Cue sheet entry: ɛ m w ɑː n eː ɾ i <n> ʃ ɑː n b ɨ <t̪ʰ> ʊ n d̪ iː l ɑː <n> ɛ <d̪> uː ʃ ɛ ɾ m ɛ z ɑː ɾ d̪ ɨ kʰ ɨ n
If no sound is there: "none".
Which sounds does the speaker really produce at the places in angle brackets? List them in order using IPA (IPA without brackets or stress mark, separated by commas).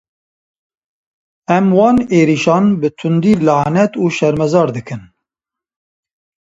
none, t̪ʰ, n, t̪